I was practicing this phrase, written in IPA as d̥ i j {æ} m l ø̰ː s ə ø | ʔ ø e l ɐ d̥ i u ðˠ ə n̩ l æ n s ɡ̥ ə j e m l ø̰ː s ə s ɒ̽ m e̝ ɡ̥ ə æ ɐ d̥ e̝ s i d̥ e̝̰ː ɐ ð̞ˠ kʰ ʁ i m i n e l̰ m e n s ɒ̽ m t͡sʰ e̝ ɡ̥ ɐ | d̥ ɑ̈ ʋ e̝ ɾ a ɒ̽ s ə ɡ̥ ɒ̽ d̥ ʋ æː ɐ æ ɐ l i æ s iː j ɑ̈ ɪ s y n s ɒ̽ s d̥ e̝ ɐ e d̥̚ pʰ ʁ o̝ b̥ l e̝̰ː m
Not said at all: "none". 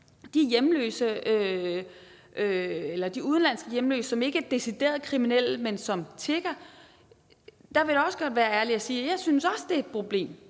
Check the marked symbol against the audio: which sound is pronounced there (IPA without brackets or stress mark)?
e